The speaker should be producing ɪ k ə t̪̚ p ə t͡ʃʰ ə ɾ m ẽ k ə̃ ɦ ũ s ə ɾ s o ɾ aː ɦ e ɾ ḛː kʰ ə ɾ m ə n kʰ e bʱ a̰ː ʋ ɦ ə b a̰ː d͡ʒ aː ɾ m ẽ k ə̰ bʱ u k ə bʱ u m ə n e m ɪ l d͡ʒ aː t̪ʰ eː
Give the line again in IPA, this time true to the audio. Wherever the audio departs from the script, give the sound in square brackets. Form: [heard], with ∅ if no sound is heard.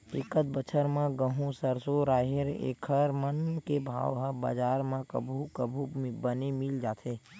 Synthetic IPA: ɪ k ə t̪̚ [b] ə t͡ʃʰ ə ɾ m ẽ [ɡ] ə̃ ɦ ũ s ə ɾ s o ɾ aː ɦ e ɾ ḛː kʰ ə ɾ m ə n [k] e bʱ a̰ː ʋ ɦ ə b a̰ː d͡ʒ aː ɾ m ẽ k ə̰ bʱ u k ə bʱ u [b] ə n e m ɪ l d͡ʒ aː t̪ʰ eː